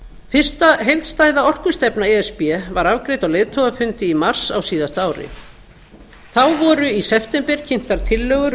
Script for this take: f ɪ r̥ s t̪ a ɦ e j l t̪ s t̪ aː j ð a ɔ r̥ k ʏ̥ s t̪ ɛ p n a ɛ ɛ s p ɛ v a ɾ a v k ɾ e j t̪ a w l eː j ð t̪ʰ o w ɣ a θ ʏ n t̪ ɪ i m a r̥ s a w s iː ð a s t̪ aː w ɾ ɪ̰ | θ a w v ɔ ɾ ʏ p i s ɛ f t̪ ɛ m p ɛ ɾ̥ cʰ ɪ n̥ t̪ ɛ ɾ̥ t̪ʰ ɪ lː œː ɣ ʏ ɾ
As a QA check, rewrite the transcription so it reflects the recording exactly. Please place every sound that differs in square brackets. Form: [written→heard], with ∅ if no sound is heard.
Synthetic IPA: f ɪ r̥ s t̪ a ɦ e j l t̪ s t̪ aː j ð a ɔ r̥ k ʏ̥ s t̪ ɛ p n a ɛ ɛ s p ɛ v a ɾ a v k ɾ e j t̪ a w l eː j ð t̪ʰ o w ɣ a [θ→f] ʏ n t̪ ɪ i m a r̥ s a w s iː ð a s t̪ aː w ɾ ɪ̰ | θ a w v ɔ ɾ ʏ [p→∅] i s ɛ f t̪ ɛ m p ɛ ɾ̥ cʰ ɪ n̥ t̪ [ɛ→a] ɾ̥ t̪ʰ ɪ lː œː ɣ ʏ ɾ